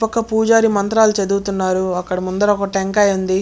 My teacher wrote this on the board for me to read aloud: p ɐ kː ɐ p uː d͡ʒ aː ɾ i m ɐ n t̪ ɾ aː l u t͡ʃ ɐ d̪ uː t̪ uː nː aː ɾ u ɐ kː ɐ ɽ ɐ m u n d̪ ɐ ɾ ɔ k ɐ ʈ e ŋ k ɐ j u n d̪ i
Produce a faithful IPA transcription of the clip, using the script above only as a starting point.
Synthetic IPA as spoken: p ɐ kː ɐ p uː d͡ʒ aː ɾ i m ɐ n t̪ ɾ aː l u t͡ʃ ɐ d̪ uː t̪ u nː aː ɾ u ɐ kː ɐ ɽ ɐ m u n d̪ ɐ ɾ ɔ k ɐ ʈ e ŋ k ɐ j u n d̪ i